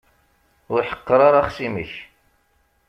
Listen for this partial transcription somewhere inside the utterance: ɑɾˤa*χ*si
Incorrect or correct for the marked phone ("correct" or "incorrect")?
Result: correct